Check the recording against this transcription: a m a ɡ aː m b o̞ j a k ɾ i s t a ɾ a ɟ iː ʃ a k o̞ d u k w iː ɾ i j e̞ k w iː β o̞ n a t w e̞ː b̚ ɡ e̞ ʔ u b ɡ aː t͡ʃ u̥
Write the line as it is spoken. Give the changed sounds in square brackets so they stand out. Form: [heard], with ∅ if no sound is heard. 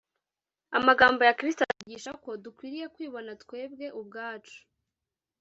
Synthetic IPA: a m a ɡ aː m b o̞ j a k ɾ i s t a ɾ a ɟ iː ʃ a k o̞ d u k w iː ɾ i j e̞ k w iː β o̞ n a t w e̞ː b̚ ɡ e̞ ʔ u b ɡ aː t͡ʃ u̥